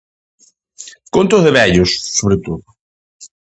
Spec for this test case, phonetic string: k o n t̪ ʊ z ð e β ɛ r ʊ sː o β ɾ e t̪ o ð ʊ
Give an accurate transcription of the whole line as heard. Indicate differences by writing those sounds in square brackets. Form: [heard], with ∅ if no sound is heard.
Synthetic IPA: k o n t̪ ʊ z ð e β ɛ [ʎ] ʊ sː o β ɾ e t̪ o ð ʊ

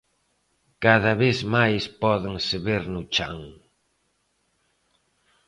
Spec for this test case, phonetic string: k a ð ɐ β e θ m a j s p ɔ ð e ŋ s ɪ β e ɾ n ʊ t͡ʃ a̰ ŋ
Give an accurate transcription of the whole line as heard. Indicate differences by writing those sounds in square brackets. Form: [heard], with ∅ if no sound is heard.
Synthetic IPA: k a ð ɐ β e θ m a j s p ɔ ð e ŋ s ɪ β e ɾ n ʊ t͡ʃ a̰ ŋ

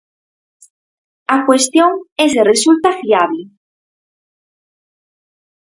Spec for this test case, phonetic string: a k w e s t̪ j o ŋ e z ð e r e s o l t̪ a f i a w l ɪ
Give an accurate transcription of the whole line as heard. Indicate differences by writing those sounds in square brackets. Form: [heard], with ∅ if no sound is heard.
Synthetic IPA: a k w e s t̪ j o ŋ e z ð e r e s [u] l t̪ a f i a [β] l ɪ

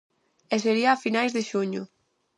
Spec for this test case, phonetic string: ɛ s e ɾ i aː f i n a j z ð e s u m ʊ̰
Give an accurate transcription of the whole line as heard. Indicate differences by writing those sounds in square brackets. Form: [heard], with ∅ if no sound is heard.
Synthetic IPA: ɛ s e ɾ i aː f i n a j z ð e [ʃ] u [ɲ] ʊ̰

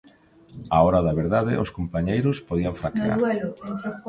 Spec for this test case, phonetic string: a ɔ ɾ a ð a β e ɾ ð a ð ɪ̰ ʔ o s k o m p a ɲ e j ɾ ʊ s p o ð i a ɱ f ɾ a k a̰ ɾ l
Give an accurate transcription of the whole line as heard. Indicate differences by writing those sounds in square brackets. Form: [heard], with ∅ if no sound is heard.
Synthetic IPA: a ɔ ɾ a ð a β e ɾ ð a ð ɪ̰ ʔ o s k o m p a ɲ e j ɾ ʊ s p o ð i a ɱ f ɾ a k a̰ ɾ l

